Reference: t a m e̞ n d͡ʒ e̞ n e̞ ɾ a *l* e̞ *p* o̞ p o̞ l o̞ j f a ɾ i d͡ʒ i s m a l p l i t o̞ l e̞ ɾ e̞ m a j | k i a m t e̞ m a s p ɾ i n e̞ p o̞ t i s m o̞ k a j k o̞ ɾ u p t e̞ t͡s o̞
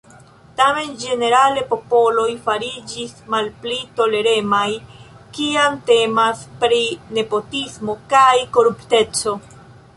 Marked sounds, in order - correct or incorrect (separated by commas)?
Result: correct, correct